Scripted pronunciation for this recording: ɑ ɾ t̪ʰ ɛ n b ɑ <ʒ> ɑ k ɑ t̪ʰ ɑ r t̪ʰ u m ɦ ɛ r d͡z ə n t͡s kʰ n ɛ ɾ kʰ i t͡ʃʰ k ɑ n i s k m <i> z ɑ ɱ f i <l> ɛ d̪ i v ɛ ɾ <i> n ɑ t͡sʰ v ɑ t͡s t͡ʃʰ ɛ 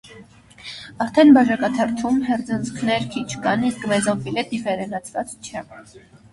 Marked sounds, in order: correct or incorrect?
correct, incorrect, correct, incorrect

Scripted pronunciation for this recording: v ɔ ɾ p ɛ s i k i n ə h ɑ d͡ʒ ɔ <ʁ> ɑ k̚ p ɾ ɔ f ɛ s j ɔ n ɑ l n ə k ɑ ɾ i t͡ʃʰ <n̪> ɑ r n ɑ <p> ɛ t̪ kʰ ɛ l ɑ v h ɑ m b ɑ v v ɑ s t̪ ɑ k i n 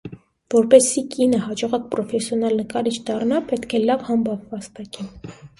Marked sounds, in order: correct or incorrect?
correct, incorrect, correct

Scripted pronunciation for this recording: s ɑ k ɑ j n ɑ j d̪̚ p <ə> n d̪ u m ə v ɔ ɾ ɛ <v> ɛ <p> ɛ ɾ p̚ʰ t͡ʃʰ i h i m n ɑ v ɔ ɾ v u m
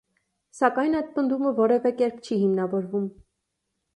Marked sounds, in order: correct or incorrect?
correct, correct, incorrect

